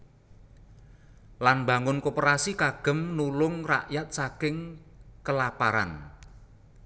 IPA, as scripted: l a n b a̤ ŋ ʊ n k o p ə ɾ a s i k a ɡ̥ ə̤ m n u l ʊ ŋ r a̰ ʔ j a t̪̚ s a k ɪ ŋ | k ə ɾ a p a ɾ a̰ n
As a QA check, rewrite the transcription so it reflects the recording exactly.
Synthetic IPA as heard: l a n b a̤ ŋ ʊ n k o p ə ɾ a s i k a ɡ̥ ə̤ m n u l ʊ ŋ r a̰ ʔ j a t̪̚ s a k ɪ ŋ | k ə l a p a ɾ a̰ n

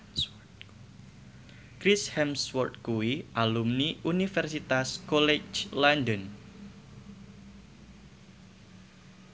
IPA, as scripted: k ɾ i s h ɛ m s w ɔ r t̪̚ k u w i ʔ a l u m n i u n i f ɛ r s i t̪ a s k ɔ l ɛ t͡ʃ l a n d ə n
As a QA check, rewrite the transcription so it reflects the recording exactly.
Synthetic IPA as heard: k ɾ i s h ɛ m s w ɔ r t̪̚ k u w i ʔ a l u m n i u n i f ɛ r s i t̪ a s k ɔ l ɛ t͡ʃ l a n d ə n

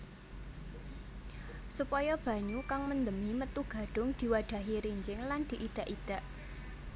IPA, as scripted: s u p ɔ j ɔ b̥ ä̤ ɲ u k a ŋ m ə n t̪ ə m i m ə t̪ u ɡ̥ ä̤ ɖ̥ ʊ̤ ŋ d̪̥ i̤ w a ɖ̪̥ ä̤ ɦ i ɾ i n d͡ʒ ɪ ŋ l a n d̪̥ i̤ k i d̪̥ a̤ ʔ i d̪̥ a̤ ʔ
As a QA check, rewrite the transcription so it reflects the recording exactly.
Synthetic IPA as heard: s u p ɔ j ɔ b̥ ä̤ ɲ u k a ŋ m ə n d̪ ə m i m ə t̪ u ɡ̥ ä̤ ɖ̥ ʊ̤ ŋ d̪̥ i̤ w a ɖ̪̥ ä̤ ɦ i ɾ i ɲ d͡ʒ ɪ ŋ l a n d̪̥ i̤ ʔ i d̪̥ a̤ ʔ i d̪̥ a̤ ʔ

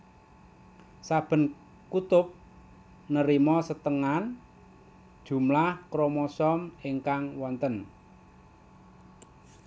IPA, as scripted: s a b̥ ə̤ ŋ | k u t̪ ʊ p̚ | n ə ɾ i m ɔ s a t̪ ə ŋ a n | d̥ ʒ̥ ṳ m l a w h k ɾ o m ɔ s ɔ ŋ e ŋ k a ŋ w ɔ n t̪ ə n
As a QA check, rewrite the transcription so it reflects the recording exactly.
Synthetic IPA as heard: s a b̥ ə̤ n | k u t̪ ʊ p̚ | n ə ɾ i m ɔ s ə t̪ ə ŋ a n | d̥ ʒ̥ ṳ m l a h k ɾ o m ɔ s ɔ m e ŋ k a ŋ w ɔ n t̪ ə n

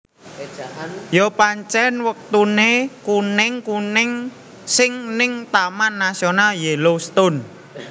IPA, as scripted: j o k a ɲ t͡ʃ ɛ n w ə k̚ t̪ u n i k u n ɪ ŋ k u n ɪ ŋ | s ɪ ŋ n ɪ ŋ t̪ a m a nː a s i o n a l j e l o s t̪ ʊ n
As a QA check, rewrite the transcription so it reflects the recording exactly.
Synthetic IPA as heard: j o p a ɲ t͡ʃ ɛ n w ə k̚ t̪ u n e k u n ɪ ŋ k u n ɪ ŋ | s ɪ ŋ n ɪ ŋ t̪ a m a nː a s i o n a l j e l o s t̪ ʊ n

